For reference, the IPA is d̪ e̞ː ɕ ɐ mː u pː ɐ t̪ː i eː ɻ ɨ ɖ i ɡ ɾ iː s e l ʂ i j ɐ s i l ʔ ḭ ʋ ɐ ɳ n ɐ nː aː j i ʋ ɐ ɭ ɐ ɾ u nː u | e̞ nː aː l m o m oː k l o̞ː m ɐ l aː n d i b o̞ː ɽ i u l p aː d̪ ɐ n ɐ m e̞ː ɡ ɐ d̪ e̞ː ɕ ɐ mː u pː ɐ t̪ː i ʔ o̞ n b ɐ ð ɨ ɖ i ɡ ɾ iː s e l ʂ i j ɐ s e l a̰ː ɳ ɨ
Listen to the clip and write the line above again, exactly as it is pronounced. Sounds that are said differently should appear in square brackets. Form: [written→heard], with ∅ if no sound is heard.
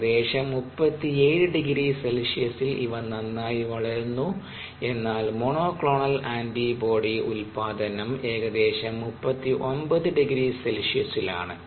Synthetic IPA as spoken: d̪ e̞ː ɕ ɐ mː u pː ɐ t̪ː i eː ɻ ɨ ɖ i ɡ ɾ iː s e l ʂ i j ɐ s i l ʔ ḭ ʋ ɐ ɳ n ɐ nː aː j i ʋ ɐ ɭ ɐ ɾ u nː u | e̞ nː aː l m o [m→ɳ] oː k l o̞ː [m→ɳ] ɐ l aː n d i b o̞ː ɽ i u l p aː d̪ ɐ n ɐ m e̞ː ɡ ɐ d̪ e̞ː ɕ ɐ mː u pː ɐ t̪ː i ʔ o̞ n b ɐ ð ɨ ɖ i ɡ ɾ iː s e l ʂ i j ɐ s [e→i] l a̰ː ɳ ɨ